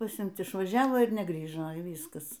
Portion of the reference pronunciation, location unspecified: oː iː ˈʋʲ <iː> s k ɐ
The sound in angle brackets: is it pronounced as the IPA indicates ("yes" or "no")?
yes